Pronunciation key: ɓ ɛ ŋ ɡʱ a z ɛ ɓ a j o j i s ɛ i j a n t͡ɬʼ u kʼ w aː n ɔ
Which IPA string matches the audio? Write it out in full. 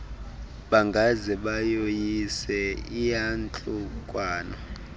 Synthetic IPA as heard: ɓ a ŋ ɡʱ a z ɛ ɓ a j o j i s ɛ i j a n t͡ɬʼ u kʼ w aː n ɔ